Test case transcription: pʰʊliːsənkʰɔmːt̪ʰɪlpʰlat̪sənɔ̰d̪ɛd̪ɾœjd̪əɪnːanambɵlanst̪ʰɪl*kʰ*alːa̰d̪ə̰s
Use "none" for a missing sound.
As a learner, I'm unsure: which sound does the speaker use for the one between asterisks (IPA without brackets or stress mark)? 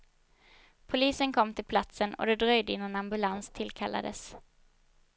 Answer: kʰ